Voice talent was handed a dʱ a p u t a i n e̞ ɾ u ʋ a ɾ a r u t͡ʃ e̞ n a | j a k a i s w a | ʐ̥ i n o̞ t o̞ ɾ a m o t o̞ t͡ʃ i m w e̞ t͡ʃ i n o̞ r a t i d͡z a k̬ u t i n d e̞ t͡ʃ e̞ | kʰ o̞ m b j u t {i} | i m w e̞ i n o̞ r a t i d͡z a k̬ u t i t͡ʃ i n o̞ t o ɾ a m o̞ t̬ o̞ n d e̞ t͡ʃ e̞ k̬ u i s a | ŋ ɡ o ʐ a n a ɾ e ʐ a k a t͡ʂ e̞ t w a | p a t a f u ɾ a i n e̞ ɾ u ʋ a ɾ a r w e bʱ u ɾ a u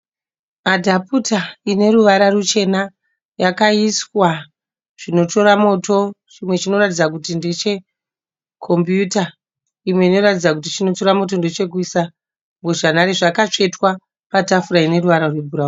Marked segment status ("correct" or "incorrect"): incorrect